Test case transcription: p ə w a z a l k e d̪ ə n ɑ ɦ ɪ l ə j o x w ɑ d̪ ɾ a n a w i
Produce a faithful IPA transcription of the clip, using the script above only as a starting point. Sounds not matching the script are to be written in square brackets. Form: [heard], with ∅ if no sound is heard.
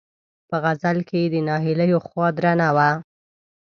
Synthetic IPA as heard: p ə [ɣ] a z a l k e d̪ ə n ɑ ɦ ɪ l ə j o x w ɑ d̪ ɾ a n a w [a]